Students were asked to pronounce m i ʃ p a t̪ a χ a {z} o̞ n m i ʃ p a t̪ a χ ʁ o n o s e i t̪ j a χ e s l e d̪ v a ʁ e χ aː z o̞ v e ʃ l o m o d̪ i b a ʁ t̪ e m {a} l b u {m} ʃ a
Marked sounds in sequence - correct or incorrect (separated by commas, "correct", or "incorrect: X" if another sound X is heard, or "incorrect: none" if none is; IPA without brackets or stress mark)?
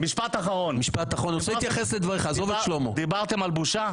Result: incorrect: ʁ, correct, incorrect: none